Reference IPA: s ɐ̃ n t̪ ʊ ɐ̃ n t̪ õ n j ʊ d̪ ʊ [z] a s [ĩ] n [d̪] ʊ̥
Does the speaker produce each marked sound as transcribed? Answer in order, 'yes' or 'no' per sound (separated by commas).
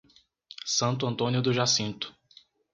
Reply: no, yes, no